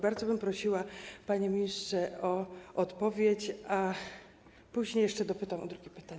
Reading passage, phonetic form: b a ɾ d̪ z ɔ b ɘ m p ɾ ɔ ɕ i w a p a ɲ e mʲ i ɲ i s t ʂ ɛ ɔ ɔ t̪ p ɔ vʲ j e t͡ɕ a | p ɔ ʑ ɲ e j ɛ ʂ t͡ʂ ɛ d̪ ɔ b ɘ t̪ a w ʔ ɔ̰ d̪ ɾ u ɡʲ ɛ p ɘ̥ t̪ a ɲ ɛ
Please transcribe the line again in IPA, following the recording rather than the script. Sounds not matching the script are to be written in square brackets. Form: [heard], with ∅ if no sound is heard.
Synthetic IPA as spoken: b a ɾ d̪ z ɔ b ɘ m p ɾ ɔ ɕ i w a p a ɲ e mʲ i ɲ i s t ʂ ɛ ɔ ɔ t̪ p ɔ vʲ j e t͡ɕ a | p [u] ʑ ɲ e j ɛ ʂ t͡ʂ ɛ d̪ ɔ [p] ɘ t̪ a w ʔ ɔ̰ d̪ ɾ u ɡʲ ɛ p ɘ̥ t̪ a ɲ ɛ

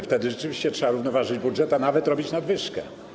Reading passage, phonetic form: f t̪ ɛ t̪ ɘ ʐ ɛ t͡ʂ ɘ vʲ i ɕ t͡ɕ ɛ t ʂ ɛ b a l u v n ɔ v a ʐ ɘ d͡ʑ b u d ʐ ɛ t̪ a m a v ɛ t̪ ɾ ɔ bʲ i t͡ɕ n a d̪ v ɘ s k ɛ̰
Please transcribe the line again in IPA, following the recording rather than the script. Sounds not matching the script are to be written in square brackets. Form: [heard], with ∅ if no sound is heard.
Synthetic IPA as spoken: f t̪ ɛ [d̪] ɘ ʐ ɛ t͡ʂ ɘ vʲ i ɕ t͡ɕ ɛ t ʂ ɛ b a [ɾ] u v n ɔ v a ʐ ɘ d͡ʑ b u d ʐ ɛ t̪ a [n] a v ɛ t̪ ɾ ɔ bʲ i t͡ɕ n a d̪ v ɘ [ʂ] k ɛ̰

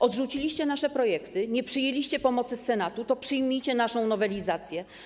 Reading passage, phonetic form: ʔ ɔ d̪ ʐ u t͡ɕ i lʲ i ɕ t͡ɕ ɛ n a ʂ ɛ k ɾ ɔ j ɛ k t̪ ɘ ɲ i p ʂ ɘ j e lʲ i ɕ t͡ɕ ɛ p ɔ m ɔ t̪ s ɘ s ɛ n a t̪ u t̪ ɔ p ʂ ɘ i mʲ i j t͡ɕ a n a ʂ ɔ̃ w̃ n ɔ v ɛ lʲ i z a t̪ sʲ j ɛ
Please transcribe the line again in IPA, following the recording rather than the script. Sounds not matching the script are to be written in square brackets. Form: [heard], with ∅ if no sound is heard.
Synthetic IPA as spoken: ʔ ɔ d̪ ʐ u t͡ɕ i lʲ i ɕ t͡ɕ ɛ n a ʂ ɛ [p] ɾ ɔ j ɛ k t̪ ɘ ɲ [ɛ] p ʂ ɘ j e lʲ i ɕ t͡ɕ ɛ p ɔ m ɔ t̪ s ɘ s ɛ n a t̪ u t̪ ɔ p ʂ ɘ [j] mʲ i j t͡ɕ [ɛ] n a ʂ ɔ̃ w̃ n ɔ v ɛ lʲ i z a t̪ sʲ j ɛ

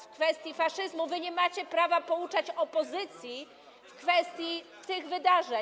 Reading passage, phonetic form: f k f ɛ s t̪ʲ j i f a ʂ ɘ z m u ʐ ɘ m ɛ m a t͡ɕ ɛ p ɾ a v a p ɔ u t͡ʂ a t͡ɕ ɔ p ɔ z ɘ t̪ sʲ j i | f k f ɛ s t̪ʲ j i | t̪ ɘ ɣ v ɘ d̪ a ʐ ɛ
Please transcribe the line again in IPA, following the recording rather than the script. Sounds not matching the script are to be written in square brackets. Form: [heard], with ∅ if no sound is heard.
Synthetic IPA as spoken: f k f ɛ s t̪ʲ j i f a ʂ ɘ z m u [v] ɘ [ɲ] ɛ m a t͡ɕ ɛ p ɾ a v a p ɔ u t͡ʂ a t͡ɕ ɔ p ɔ z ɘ t̪ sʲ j i | f k f ɛ s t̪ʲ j i | t̪ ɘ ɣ v ɘ d̪ a ʐ ɛ

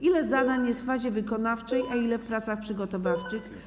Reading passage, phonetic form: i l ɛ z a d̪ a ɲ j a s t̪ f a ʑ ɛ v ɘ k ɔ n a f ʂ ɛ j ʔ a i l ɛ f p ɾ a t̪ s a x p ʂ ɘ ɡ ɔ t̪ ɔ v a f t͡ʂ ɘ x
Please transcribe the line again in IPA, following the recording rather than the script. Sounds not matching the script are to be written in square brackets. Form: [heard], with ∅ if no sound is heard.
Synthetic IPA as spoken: i l ɛ z a d̪ a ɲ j [ɛ] s t̪ f a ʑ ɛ v ɘ k ɔ n a f [t͡ʂ] ɛ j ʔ a i l ɛ f p ɾ a t̪ s a x p ʂ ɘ ɡ ɔ t̪ ɔ v a f t͡ʂ ɘ x

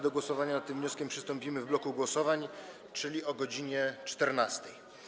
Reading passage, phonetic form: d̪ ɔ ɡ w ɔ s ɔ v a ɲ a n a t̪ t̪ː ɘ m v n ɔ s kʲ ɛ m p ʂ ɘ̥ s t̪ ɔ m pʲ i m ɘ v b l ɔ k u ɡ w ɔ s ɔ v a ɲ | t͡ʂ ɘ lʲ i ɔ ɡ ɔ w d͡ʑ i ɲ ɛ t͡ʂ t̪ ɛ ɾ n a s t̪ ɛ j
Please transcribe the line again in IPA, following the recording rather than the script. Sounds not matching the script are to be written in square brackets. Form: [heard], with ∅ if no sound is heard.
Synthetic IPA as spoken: d̪ ɔ ɡ w ɔ s ɔ v a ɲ a n a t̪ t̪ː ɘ m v [ɲ] ɔ s kʲ ɛ m p ʂ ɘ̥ s t̪ ɔ m pʲ i m ɘ v b l ɔ k u ɡ w ɔ s ɔ v a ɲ | t͡ʂ ɘ lʲ i ɔ ɡ ɔ [∅] d͡ʑ i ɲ ɛ t͡ʂ t̪ ɛ ɾ n a s t̪ ɛ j

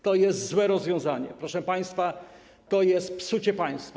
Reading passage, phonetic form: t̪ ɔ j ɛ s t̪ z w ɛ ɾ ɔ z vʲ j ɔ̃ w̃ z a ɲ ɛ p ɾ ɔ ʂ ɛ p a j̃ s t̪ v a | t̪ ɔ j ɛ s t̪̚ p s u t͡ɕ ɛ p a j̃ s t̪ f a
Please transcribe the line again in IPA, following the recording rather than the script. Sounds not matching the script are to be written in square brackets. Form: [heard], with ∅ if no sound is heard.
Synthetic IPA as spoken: t̪ ɔ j ɛ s t̪ z w ɛ ɾ ɔ z vʲ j ɔ̃ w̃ z a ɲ ɛ p ɾ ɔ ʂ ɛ p a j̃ s t̪ [f] a | t̪ ɔ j ɛ s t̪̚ p s u t͡ɕ ɛ p a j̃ s t̪ f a

